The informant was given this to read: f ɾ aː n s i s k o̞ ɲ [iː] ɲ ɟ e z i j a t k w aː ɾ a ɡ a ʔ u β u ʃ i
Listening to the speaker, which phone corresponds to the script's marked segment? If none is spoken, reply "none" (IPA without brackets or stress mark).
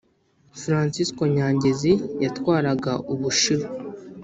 aː